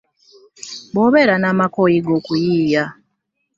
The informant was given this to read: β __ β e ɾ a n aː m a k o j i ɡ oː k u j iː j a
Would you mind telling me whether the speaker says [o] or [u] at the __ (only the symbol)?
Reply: o